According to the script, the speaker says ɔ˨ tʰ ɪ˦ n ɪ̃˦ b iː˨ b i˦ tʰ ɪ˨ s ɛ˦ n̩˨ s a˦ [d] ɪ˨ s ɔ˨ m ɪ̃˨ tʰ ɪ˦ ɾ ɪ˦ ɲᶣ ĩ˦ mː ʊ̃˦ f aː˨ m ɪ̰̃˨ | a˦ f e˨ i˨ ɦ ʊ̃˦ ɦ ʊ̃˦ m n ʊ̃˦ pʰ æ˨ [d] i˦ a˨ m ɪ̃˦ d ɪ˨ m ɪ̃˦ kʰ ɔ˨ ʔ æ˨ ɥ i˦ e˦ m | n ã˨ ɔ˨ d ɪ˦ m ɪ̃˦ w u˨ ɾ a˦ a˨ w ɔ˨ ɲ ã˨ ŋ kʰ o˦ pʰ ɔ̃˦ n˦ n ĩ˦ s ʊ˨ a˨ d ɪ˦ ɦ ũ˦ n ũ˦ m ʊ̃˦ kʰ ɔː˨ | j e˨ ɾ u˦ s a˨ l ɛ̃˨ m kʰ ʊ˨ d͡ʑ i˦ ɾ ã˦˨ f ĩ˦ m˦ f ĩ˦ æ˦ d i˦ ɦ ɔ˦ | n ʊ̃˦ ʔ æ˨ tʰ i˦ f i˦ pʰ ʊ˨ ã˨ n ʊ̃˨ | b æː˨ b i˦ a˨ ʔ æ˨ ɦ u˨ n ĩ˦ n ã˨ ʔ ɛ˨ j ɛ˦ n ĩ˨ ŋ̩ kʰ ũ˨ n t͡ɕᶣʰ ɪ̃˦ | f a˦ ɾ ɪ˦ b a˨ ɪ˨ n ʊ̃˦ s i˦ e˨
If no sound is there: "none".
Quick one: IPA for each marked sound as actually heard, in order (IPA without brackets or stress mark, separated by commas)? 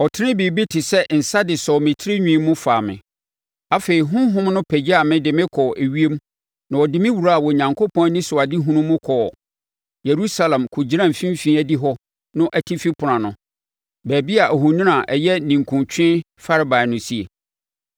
d, d͡ʑ